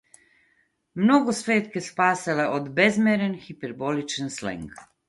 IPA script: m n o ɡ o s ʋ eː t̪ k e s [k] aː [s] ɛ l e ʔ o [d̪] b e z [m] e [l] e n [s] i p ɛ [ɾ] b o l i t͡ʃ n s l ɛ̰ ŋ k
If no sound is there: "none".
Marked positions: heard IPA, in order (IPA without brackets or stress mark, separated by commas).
p, s, d̪, m, ɾ, x, ɾ